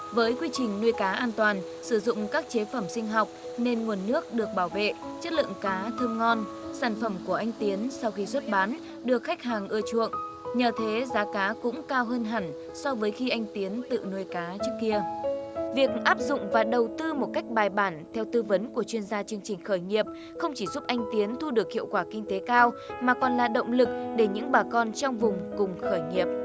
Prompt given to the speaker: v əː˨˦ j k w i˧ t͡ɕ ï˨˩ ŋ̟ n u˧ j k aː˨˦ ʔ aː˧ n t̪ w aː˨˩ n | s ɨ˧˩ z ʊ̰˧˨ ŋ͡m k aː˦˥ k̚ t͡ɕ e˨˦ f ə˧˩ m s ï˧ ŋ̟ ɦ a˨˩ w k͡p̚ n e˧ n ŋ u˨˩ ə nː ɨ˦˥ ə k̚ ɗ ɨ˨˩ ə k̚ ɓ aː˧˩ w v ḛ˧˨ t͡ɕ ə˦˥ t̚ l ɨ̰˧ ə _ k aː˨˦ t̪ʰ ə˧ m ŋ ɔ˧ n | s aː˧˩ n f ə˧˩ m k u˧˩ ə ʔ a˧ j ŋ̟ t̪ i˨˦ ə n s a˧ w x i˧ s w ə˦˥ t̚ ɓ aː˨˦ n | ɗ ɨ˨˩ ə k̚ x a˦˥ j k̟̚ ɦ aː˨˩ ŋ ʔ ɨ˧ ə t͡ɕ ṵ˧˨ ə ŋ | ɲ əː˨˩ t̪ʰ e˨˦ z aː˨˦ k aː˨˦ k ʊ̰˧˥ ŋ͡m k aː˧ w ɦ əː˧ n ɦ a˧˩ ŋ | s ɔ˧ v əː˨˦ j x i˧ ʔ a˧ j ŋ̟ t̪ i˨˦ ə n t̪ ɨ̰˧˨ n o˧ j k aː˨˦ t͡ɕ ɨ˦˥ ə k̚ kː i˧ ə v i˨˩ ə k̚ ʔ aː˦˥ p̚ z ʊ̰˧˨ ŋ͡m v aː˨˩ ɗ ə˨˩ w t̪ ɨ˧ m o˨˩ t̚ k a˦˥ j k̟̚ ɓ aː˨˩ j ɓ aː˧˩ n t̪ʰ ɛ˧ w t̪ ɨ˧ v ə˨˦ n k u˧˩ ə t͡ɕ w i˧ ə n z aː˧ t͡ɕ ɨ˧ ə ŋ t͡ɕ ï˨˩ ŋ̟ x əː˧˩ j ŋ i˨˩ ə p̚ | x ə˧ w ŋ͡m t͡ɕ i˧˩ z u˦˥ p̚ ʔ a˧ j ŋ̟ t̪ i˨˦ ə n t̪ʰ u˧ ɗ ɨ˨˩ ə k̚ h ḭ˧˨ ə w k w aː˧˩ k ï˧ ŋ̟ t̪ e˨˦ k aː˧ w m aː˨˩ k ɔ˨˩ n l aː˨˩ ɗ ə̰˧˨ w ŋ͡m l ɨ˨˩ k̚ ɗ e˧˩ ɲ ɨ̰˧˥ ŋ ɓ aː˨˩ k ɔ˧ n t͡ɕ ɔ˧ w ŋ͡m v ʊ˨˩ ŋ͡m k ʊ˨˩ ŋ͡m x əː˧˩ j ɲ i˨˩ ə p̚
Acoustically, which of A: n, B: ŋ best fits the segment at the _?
B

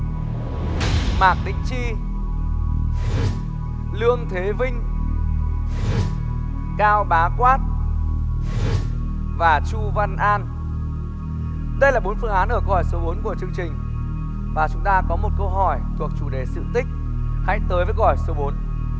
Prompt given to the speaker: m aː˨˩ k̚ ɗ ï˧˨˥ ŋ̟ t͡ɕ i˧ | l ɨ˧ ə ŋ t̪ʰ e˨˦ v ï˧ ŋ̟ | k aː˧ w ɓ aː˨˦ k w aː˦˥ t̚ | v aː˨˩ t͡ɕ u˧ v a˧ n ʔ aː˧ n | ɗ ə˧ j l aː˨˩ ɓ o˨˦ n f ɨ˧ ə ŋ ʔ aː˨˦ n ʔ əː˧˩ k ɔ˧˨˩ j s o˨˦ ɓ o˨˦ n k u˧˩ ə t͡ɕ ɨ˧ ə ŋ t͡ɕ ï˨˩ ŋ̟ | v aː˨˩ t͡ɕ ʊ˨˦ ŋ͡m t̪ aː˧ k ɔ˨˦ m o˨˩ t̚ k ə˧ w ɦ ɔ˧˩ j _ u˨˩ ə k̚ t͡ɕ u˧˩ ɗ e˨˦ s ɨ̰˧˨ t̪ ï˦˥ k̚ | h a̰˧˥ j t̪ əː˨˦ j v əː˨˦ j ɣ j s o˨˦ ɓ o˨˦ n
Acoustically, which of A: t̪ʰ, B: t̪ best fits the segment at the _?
A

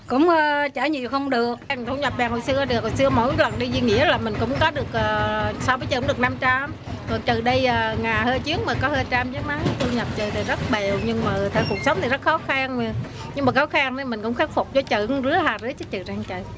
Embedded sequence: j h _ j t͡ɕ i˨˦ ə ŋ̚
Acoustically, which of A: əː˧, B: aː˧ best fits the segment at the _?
A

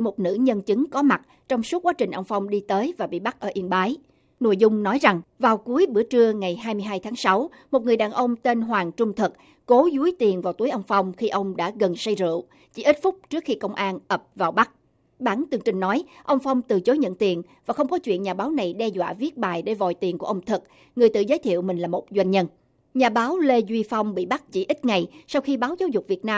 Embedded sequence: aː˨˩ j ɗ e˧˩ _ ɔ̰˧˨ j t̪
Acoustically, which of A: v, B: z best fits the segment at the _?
A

